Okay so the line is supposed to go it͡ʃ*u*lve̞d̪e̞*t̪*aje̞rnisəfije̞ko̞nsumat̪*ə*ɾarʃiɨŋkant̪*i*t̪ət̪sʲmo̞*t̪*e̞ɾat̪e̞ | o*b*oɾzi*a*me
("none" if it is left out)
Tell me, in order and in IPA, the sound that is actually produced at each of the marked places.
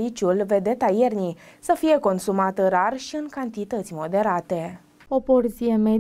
u, t̪, ə, i, d̪, p, e

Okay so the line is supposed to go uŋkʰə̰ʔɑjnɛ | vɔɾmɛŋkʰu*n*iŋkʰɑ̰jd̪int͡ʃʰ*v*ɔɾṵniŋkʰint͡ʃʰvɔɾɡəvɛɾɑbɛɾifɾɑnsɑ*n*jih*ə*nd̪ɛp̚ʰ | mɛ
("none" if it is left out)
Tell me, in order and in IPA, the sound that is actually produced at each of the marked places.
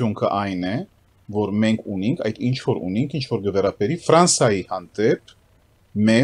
n, v, none, ɑ

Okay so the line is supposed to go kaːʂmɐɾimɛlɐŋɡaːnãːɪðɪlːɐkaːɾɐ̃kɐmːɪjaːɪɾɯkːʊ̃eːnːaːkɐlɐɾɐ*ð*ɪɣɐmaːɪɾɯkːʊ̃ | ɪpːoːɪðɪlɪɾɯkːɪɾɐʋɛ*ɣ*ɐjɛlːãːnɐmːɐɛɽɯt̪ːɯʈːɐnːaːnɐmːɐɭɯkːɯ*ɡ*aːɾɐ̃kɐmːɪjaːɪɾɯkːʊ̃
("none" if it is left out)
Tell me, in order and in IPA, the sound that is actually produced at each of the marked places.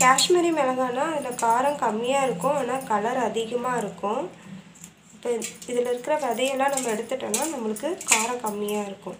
ð, ð, k

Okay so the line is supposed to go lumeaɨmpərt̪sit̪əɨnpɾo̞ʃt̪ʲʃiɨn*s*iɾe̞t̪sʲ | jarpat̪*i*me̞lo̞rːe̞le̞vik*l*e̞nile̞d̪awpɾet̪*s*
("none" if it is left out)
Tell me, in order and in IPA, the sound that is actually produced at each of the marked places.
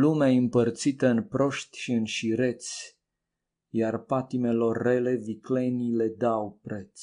ʃ, i, l, s

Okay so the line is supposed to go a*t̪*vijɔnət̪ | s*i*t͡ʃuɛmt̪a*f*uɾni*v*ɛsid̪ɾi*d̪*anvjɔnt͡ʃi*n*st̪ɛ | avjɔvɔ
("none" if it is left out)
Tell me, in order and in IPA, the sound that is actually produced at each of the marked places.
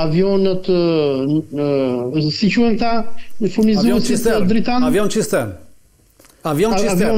none, i, f, z, t̪, none

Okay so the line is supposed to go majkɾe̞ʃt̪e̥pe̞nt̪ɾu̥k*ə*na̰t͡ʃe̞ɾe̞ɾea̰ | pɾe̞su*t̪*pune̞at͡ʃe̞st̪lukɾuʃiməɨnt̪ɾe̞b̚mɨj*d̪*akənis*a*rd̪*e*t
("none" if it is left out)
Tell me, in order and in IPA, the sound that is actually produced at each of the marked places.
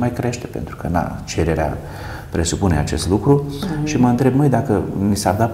ə, none, d̪, a, a

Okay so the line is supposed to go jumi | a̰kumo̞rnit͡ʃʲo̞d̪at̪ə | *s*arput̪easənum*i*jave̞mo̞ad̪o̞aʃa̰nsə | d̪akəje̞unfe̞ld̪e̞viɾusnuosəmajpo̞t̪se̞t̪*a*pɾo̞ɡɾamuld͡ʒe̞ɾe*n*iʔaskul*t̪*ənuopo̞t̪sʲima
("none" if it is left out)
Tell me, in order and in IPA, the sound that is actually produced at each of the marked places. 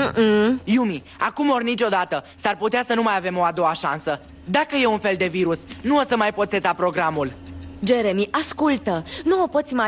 s, a, a, m, t̪

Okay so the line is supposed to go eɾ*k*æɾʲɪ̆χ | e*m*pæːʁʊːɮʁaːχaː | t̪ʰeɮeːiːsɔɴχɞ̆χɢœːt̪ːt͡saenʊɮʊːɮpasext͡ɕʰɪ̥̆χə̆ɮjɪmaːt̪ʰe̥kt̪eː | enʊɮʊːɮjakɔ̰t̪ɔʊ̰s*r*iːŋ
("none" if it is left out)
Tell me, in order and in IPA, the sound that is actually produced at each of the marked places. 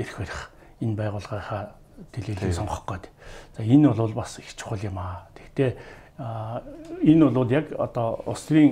x, n, r

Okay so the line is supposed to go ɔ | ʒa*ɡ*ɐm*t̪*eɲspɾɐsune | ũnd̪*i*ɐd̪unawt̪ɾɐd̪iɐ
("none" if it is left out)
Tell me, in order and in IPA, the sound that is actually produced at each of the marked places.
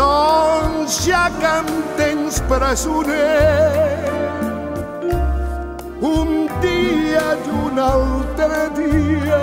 k, t̪, i

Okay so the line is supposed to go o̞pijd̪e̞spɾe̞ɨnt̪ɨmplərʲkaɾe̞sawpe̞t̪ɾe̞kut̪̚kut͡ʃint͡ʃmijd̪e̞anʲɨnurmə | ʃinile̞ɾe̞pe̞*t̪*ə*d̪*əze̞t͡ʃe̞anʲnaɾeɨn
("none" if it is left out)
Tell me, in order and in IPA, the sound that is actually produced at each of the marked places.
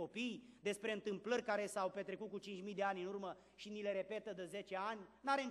t̪, d̪

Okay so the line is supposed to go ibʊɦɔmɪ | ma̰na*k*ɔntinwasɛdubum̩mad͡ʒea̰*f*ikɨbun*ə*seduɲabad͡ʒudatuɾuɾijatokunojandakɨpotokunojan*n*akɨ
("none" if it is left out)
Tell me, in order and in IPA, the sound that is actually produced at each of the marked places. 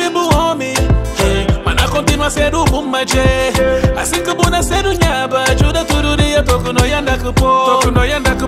k, s, a, d

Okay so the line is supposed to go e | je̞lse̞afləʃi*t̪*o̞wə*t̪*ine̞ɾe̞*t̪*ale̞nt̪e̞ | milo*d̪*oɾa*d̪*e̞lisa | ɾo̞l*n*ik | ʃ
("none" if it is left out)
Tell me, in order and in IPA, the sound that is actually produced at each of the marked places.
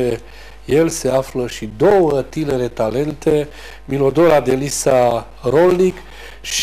d̪, t̪, t̪, d̪, d̪, n

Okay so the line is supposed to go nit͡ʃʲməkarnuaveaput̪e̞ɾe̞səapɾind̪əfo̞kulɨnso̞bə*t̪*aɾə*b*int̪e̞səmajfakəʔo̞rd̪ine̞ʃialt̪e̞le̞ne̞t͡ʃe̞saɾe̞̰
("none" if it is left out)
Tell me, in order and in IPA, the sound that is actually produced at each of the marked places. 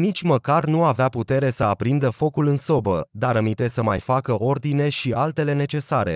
d̪, m

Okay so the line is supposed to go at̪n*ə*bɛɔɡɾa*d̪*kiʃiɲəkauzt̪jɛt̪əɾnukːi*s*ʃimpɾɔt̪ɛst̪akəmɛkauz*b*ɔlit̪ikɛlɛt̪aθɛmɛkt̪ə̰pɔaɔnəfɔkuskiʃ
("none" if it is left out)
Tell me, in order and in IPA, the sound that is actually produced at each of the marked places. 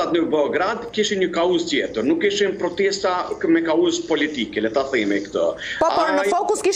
ə, d̪, none, p

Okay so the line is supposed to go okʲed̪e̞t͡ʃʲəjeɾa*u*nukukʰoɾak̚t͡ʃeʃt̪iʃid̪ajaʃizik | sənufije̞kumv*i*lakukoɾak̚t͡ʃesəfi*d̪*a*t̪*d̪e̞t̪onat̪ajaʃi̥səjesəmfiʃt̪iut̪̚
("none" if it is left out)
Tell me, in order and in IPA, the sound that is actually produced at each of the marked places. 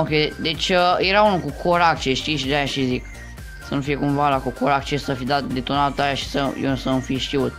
u, a, d̪, t̪

